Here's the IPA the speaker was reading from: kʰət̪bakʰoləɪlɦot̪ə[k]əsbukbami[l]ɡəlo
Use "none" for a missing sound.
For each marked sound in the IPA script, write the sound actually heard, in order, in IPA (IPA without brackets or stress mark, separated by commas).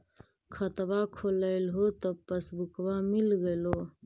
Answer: p, l